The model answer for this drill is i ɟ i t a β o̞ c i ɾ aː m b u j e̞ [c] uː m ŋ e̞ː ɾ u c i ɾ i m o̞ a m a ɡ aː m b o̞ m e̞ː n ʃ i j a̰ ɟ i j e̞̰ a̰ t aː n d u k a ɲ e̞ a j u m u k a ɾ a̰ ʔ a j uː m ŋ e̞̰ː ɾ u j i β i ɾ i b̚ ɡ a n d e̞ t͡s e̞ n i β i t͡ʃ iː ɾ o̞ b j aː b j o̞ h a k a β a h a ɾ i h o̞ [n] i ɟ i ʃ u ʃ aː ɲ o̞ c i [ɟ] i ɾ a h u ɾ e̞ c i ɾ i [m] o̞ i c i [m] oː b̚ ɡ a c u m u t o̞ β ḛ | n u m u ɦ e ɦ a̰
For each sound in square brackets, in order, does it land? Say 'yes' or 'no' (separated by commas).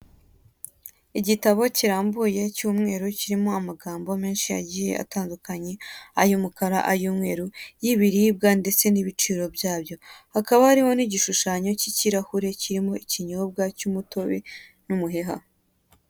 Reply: yes, yes, no, yes, no